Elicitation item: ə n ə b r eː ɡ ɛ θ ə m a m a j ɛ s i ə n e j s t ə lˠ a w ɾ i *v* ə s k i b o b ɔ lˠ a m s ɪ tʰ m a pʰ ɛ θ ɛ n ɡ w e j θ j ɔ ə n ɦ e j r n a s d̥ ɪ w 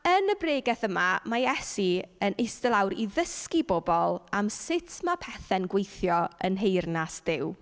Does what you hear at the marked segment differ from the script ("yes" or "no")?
yes